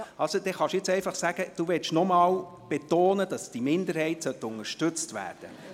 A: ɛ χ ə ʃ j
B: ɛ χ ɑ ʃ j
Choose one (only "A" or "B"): B